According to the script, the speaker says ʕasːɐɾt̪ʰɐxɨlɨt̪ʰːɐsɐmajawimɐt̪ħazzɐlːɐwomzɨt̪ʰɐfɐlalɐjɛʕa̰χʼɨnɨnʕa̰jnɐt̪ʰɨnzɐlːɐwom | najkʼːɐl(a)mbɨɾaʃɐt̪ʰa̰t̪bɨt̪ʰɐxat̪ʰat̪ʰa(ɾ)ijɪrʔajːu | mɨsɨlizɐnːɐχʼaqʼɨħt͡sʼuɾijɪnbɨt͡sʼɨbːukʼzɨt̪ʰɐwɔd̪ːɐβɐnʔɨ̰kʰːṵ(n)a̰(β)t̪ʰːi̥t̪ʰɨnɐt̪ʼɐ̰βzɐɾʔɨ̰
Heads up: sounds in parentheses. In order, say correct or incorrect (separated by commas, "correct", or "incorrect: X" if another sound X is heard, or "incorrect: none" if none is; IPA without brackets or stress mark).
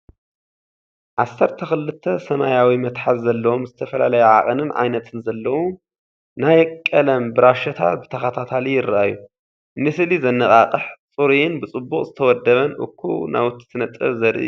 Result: incorrect: ɐ, incorrect: l, correct, incorrect: w